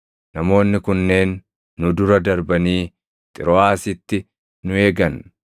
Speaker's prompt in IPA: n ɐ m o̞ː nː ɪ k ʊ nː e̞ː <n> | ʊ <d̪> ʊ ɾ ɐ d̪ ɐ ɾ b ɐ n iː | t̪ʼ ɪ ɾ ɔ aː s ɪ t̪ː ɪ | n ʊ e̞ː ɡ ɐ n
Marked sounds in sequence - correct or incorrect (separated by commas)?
incorrect, correct